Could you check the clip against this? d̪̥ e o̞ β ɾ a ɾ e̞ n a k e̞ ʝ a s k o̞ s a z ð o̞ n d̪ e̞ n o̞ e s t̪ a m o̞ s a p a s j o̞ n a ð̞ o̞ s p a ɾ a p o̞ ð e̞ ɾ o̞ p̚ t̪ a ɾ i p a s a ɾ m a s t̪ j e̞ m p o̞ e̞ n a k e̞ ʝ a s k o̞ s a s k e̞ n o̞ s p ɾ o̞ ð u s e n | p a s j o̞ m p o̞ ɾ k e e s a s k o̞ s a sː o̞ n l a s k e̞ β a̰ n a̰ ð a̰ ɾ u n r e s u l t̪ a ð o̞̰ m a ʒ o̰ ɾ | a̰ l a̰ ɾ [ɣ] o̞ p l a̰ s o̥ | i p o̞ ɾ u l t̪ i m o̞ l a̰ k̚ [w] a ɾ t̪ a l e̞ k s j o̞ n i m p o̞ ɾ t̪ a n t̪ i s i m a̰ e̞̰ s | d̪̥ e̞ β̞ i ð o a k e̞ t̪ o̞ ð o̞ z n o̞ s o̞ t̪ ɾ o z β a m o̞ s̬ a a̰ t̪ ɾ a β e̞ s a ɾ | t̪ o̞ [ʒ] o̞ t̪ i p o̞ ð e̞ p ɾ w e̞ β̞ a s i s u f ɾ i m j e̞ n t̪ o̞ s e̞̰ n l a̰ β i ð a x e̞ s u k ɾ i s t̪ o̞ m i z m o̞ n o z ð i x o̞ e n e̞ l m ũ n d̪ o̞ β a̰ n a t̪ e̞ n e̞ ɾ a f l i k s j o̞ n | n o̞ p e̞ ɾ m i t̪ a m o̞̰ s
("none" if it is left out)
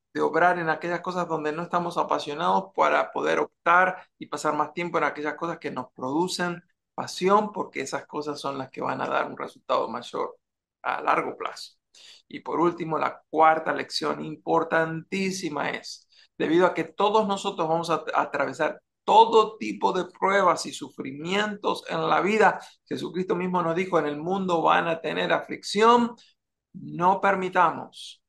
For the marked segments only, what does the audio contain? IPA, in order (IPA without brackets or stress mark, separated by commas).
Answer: ɣ, w, ð